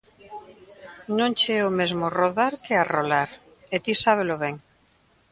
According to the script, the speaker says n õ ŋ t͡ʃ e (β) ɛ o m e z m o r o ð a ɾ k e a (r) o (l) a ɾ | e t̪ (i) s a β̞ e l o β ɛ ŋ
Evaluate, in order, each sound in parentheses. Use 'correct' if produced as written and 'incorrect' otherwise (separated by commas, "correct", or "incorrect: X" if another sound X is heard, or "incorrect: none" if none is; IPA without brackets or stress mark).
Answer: incorrect: none, correct, correct, correct